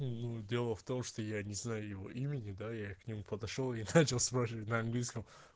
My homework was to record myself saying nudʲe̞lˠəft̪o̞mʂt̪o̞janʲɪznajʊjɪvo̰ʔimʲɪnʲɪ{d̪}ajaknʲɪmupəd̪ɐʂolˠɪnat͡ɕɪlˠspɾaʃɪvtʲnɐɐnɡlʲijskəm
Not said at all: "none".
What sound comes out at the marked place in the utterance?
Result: d̪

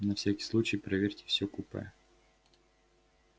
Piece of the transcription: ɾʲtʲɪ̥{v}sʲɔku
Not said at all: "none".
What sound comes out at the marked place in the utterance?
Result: f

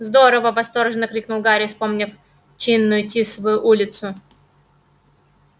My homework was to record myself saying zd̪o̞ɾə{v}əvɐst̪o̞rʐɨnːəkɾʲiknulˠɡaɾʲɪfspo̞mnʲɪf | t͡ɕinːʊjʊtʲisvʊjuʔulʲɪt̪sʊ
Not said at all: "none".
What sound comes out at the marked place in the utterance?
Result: v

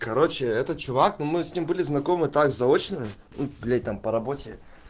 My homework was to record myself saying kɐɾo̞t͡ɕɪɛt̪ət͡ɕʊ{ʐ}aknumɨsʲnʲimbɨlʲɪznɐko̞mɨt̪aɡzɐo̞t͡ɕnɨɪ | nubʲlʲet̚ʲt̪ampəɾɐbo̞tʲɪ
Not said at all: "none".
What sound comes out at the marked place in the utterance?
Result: v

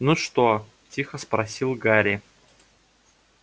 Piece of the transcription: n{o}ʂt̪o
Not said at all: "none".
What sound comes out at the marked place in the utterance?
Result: u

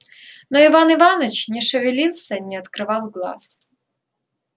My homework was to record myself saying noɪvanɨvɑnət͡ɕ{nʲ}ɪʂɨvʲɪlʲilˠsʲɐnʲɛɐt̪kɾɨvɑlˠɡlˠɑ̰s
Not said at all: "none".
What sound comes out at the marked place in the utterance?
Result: nʲ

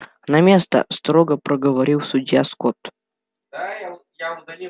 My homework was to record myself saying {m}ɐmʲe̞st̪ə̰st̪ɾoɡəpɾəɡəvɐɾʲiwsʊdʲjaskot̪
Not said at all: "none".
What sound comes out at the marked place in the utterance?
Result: n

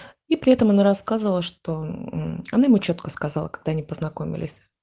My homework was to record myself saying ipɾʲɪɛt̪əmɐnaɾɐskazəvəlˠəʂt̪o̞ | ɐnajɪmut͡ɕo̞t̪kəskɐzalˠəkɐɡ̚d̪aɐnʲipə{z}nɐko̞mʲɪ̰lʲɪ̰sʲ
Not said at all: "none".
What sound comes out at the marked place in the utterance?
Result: z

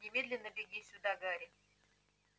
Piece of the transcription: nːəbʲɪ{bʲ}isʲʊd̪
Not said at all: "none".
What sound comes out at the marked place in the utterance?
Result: ɡʲ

